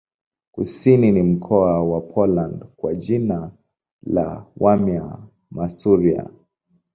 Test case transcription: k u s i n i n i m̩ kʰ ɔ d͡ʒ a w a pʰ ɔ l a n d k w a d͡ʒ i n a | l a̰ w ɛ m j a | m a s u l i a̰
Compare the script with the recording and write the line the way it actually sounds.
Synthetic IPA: k u s i n i n i m̩ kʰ ɔ a w a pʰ ɔ l a n d k w a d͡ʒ i n a | l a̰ w a m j a | m a s u ɾ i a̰